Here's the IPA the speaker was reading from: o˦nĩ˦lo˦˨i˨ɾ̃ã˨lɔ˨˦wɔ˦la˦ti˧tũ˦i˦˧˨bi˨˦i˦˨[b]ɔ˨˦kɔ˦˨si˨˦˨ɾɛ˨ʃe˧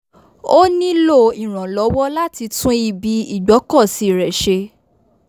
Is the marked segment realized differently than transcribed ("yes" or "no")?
yes